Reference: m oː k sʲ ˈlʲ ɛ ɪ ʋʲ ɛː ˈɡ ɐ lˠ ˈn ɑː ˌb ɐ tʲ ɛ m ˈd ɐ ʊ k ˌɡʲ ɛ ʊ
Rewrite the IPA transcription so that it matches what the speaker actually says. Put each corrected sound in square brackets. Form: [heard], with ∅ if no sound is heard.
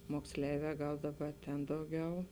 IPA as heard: m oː k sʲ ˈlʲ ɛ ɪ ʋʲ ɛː ˈɡ ɐ lˠ [ˈd] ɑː ˌb ɐ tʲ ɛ [n] ˈd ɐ ʊ [∅] ˌɡʲ ɛ ʊ